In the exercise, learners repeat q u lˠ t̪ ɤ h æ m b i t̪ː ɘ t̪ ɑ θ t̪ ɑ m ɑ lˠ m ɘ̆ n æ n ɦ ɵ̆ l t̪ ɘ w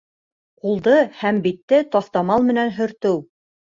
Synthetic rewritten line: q u lˠ d̪ ɤ h æ m b i t̪ː ɘ t̪ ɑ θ t̪ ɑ m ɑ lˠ m ɘ̆ n æ n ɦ ɵ̆ ɾ t̪ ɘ w